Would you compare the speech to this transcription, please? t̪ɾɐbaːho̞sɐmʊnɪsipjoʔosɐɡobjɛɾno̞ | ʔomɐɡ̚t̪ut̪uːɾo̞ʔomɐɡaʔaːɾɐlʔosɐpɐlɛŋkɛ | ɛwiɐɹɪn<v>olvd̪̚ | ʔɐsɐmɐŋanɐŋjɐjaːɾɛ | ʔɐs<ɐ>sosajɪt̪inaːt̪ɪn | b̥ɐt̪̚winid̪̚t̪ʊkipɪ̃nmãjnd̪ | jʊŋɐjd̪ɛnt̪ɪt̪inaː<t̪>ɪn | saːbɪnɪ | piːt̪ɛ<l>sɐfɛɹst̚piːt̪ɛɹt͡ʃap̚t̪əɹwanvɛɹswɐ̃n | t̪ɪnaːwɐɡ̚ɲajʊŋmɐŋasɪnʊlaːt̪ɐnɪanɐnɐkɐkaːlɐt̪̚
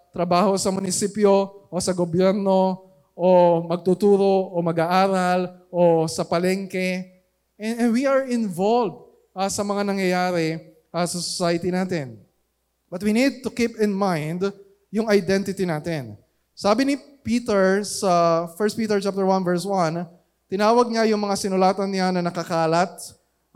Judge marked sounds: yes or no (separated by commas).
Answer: yes, yes, yes, no